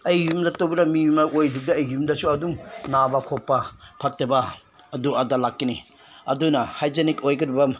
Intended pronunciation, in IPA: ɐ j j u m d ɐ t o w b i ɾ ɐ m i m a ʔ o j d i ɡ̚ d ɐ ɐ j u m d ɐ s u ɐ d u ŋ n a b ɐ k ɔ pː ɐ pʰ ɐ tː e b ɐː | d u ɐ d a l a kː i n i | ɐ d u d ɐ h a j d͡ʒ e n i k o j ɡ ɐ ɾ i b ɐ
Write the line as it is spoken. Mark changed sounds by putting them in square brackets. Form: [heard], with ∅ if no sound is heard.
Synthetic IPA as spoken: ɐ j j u m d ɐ t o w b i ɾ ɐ m i m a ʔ o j d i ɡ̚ d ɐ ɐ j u m d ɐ s u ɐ d u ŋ n a b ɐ [kʰ] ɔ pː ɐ pʰ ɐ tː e b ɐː | d u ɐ d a l a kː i n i | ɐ d u [n] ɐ h a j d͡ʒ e n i k o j ɡ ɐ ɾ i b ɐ

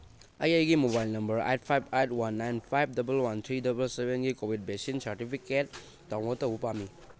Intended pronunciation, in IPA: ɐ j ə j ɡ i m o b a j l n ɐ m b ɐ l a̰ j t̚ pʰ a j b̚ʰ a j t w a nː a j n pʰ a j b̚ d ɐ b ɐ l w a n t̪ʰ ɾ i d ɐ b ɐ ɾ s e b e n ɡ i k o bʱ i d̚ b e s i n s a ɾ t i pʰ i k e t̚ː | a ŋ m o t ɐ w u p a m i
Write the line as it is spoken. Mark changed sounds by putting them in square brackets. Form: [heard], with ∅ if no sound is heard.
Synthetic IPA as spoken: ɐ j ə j ɡ i m o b a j l n ɐ m b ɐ [ɾ] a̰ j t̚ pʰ a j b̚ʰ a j t w a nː a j n pʰ a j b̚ d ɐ b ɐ l w a n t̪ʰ ɾ i d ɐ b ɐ [l] s e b e n ɡ i k o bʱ i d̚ b e s i n s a ɾ t i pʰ i k e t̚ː | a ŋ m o t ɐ w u p a m i

